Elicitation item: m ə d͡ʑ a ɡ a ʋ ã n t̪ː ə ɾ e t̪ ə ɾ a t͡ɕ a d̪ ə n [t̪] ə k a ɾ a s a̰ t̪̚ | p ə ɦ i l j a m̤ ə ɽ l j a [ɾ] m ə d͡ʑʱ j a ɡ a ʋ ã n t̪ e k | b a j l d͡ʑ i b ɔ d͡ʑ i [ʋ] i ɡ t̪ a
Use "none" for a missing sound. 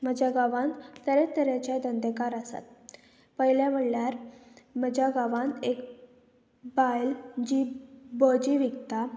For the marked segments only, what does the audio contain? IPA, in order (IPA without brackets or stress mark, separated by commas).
d̪, ɾ, ʋ